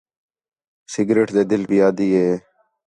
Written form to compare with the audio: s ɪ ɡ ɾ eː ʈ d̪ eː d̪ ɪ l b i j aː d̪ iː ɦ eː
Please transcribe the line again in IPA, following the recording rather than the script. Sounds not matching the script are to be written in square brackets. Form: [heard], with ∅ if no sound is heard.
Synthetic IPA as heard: s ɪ ɡ ɾ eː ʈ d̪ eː d̪ ɪ l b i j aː d̪ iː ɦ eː